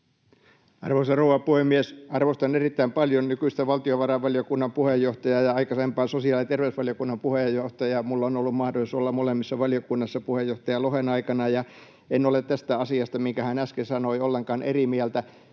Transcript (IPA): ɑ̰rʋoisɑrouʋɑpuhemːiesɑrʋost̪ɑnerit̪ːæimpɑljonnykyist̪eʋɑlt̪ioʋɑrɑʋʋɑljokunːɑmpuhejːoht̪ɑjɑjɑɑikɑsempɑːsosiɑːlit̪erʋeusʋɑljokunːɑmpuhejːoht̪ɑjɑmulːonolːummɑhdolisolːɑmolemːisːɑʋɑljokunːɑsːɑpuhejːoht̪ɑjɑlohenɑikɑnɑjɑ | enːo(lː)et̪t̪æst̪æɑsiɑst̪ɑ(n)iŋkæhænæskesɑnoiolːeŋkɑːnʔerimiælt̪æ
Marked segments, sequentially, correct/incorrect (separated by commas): incorrect, incorrect